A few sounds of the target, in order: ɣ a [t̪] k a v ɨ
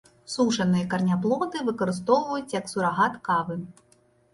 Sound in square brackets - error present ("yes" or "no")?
no